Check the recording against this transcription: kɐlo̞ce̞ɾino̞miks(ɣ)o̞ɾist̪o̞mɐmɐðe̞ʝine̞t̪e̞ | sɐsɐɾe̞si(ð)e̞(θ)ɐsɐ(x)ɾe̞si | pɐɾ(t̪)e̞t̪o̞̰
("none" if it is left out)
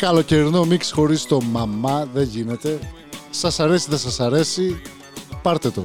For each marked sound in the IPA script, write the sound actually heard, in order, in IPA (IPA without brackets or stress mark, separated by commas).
x, ð, s, none, t̪